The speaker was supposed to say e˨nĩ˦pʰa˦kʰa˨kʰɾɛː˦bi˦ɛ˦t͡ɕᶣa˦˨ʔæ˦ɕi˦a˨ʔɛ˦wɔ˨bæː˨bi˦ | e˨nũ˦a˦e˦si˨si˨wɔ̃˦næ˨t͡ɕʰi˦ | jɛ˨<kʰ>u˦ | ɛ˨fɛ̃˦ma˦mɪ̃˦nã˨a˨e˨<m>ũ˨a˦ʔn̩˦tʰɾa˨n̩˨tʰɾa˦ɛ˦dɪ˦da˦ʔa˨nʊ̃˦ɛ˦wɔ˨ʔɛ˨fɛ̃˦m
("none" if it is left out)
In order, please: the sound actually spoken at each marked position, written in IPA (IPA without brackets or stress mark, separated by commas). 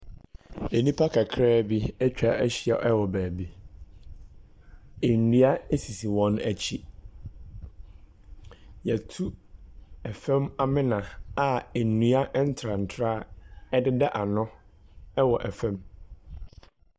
tʰ, n